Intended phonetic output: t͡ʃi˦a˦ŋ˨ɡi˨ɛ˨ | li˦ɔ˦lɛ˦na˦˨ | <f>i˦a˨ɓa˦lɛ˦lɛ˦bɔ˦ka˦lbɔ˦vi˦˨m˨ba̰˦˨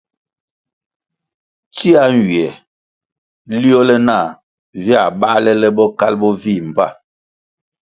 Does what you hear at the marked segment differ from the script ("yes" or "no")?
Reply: yes